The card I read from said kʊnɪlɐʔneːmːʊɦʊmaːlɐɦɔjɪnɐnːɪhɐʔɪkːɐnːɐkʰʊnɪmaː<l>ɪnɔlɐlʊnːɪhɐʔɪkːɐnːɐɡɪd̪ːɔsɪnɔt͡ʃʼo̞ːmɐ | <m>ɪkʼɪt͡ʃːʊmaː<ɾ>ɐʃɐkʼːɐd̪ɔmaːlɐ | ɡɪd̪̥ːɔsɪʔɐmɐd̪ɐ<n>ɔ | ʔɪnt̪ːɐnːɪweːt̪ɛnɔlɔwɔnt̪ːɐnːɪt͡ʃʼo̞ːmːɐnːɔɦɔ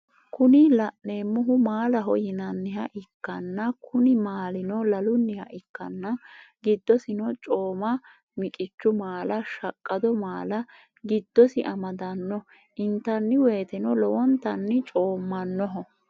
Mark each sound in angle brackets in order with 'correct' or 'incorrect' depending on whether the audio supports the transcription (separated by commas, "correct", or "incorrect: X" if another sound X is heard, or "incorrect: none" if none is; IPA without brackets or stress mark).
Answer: correct, correct, incorrect: l, incorrect: nː